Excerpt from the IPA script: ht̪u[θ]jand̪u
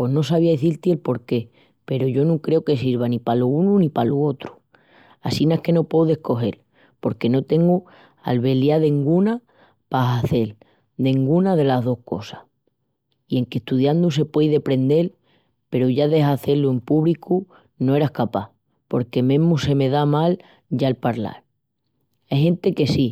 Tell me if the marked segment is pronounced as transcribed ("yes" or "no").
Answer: no